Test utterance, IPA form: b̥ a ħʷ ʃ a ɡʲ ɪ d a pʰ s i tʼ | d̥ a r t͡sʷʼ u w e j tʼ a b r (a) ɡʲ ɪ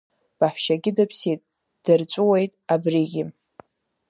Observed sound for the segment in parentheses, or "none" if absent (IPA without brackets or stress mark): i